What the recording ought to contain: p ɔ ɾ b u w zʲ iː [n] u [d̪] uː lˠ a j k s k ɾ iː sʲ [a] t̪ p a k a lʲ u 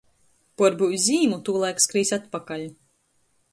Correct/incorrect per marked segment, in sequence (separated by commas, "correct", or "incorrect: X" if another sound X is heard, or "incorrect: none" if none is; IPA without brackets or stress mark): incorrect: m, incorrect: t̪, correct